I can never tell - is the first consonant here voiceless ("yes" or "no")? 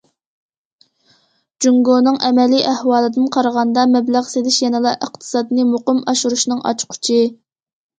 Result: no